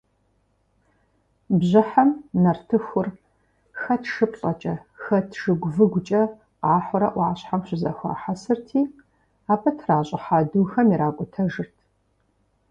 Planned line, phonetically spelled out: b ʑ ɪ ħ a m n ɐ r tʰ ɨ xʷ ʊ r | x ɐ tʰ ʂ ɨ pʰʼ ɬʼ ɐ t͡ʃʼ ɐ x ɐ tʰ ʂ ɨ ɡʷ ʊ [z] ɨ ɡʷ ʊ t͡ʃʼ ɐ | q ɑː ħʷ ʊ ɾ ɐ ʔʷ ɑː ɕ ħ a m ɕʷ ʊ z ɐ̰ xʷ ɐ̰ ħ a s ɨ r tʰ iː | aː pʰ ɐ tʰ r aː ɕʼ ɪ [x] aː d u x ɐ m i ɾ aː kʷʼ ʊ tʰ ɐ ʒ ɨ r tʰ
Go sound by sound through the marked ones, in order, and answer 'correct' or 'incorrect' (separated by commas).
incorrect, incorrect